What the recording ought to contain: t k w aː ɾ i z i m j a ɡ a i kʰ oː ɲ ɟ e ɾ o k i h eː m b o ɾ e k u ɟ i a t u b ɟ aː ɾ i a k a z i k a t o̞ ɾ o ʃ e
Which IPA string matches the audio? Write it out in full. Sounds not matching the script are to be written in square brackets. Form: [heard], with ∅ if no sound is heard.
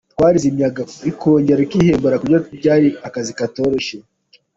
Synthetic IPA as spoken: t k w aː ɾ i z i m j a ɡ a i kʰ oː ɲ ɟ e ɾ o k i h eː m b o ɾ [a] k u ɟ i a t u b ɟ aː ɾ i a k a z i k a t o̞ ɾ o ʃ e